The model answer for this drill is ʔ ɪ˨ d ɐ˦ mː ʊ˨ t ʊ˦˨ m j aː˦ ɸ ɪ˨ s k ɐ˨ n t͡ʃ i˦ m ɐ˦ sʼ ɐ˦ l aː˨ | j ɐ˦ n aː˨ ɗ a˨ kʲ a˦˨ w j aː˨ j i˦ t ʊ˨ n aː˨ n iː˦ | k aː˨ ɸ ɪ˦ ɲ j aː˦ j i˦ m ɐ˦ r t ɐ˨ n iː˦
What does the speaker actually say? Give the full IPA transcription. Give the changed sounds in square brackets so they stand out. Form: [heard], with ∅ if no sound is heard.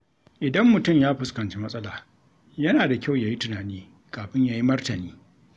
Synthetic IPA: ʔ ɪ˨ d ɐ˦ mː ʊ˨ t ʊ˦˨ m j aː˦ ɸ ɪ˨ s k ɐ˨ n t͡ʃ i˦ m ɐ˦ sʼ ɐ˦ l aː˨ | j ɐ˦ n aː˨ [d] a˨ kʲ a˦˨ w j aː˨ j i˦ t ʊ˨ n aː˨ n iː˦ | k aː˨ ɸ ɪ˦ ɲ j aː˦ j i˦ m ɐ˦ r t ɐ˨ n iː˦